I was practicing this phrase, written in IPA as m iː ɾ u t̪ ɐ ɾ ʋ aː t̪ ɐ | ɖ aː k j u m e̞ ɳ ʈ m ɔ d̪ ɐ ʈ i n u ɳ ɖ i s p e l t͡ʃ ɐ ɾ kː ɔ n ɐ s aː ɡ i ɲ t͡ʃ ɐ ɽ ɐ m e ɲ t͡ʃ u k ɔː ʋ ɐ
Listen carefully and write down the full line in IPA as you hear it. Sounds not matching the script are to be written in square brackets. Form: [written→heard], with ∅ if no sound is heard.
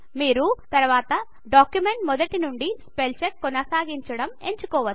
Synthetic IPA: m iː ɾ u t̪ ɐ ɾ ʋ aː t̪ ɐ | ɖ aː k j u m e̞ ɳ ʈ m ɔ d̪ ɐ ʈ i n u ɳ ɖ i s p e l t͡ʃ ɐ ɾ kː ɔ n ɐ s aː ɡ i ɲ t͡ʃ ɐ ɽ ɐ m e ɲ t͡ʃ u k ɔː ʋ ɐ

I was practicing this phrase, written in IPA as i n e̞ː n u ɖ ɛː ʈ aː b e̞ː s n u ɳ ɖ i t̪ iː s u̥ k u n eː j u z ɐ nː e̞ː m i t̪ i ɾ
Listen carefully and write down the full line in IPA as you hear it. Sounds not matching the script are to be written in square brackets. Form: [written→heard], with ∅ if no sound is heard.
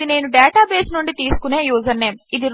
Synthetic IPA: i n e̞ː n u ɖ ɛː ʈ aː b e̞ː s n u ɳ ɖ i t̪ iː s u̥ k u n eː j [u→uː] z ɐ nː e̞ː m i [t̪→d̪] i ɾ

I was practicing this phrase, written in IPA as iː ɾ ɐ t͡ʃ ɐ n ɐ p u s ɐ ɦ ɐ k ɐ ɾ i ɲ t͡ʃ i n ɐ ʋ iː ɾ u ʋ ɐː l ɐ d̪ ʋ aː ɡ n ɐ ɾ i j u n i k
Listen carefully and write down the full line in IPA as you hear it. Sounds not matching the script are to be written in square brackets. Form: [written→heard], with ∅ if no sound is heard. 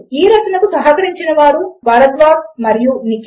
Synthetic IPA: iː ɾ ɐ t͡ʃ ɐ n ɐ [p→k] u s ɐ ɦ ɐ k ɐ ɾ i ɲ t͡ʃ i n ɐ ʋ [iː→aː] ɾ u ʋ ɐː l ɐ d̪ ʋ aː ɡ [n→m] ɐ ɾ i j u n i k

